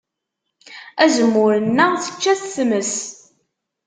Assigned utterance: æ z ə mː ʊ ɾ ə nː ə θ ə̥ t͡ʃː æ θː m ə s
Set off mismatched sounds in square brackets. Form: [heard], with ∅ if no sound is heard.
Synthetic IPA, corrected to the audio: æ z ə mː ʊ ɾ ə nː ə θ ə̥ t͡ʃː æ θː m ə s